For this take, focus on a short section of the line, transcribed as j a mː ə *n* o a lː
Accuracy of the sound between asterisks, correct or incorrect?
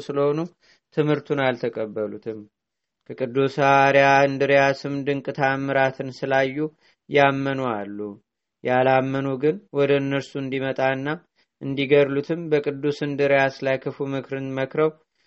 correct